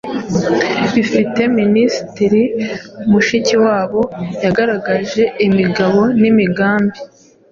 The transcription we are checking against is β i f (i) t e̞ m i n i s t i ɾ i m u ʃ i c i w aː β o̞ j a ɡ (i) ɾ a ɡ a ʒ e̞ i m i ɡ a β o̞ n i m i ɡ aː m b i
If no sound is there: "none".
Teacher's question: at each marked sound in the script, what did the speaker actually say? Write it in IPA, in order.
i, a

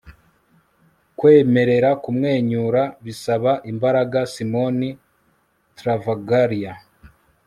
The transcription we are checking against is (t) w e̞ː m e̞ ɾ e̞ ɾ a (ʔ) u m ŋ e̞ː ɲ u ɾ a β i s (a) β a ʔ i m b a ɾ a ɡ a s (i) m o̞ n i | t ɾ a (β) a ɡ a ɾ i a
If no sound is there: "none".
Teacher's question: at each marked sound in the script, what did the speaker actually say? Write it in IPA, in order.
k, k, a, i, v

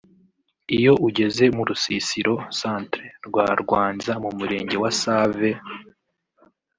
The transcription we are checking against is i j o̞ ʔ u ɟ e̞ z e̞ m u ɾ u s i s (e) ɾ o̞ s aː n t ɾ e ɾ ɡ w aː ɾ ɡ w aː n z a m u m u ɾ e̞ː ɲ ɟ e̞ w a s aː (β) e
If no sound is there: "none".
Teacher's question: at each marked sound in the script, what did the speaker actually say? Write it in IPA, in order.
i, v

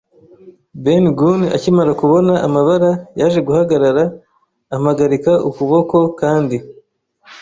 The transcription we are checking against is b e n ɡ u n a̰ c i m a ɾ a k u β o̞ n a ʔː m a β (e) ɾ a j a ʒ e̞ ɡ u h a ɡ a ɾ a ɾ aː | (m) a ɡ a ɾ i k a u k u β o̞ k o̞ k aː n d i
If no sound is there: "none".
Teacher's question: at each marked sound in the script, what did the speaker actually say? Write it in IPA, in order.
a, m

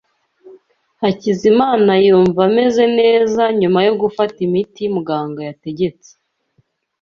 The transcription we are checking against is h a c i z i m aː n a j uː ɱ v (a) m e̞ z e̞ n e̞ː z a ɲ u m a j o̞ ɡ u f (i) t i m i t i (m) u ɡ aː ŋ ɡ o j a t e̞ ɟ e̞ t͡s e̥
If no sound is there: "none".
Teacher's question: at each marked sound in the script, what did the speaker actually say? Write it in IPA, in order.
a, a, m

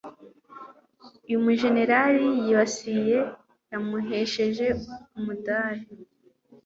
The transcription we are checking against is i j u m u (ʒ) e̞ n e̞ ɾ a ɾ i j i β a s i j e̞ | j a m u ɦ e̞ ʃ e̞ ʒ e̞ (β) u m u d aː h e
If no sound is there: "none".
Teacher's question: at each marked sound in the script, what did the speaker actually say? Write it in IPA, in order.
ʒ, none

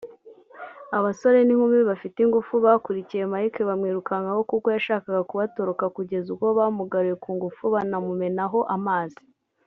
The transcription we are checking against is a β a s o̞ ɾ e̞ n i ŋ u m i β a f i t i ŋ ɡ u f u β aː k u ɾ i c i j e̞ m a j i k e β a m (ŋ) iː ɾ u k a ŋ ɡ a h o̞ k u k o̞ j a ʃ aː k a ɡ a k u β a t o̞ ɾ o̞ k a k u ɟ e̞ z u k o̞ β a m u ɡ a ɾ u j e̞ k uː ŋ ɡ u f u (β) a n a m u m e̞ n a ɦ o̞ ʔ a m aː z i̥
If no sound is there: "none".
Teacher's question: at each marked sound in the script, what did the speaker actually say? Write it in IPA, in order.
ŋ, β

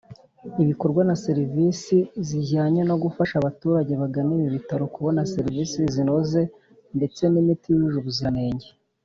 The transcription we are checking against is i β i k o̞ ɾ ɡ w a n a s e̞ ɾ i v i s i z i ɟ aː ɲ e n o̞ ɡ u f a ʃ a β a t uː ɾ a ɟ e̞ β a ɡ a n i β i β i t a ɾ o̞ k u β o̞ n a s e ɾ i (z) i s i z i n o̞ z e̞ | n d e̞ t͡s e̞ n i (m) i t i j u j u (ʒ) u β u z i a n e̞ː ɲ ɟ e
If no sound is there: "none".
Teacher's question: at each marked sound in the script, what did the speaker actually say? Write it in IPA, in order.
v, m, ʒ

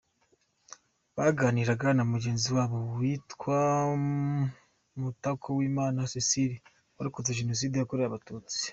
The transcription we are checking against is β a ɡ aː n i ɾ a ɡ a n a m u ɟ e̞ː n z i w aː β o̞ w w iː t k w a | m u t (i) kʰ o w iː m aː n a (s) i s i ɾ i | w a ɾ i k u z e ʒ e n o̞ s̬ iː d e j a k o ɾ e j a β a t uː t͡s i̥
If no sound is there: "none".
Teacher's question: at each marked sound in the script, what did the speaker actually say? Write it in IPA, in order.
a, s

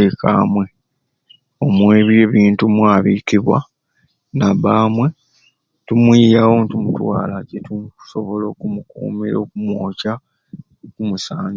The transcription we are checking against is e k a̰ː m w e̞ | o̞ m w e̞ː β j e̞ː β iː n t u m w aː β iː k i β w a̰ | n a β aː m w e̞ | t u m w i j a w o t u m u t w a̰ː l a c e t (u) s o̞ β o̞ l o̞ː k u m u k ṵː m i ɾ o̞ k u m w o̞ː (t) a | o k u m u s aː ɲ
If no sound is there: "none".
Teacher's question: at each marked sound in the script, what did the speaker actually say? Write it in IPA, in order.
u, c

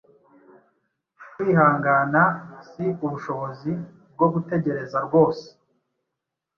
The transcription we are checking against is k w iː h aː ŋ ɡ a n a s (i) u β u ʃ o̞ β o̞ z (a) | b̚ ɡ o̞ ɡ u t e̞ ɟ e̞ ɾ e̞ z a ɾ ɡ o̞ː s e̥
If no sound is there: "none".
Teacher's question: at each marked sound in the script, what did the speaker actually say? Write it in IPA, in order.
i, i

